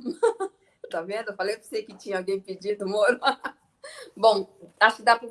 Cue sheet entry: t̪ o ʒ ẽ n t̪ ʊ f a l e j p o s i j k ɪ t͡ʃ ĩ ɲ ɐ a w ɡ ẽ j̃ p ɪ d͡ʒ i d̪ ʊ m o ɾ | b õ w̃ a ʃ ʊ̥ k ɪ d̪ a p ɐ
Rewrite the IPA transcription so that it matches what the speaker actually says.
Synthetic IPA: t̪ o v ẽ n d̪ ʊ f a l e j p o s e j k ɪ t͡ʃ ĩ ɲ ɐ a w ɡ ẽ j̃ p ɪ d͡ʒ i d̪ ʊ m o ɾ | b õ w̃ a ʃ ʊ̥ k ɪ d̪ a p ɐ